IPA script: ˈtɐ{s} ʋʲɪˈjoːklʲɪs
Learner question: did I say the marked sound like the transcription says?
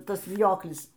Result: yes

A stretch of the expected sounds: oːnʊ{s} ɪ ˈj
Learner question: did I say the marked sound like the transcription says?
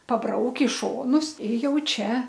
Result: yes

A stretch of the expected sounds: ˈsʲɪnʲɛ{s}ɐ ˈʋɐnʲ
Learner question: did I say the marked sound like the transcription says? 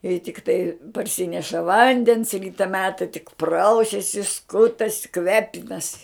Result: no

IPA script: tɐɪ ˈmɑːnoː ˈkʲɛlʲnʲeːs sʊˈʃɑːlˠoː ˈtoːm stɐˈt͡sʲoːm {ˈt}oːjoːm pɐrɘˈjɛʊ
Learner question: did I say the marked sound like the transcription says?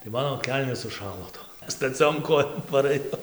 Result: no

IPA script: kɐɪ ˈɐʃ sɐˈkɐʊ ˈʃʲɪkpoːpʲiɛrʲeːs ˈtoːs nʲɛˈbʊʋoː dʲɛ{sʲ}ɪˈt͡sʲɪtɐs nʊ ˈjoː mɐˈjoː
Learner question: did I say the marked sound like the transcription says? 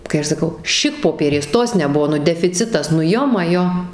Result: no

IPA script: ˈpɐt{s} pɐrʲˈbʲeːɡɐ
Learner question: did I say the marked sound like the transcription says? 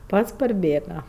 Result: yes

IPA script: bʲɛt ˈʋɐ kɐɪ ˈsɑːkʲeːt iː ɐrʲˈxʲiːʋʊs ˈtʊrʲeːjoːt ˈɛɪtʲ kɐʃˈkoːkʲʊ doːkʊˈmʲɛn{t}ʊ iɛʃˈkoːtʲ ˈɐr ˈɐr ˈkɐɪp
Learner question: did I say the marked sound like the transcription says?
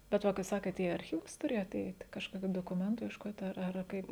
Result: yes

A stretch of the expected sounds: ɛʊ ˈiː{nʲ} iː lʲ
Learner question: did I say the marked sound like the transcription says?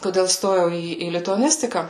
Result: no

